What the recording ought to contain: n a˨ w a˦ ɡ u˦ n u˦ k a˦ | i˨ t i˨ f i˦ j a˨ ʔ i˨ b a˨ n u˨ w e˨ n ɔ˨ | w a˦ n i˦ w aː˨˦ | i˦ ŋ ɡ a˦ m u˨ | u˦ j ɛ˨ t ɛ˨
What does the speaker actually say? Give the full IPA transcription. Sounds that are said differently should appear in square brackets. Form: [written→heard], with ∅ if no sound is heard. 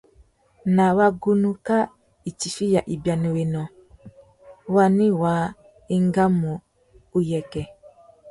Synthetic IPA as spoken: n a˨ w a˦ ɡ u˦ n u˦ k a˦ | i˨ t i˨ f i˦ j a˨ ʔ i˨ b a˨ n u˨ w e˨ n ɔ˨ | w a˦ n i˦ w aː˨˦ | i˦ ŋ ɡ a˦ m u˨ | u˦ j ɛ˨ [t→k] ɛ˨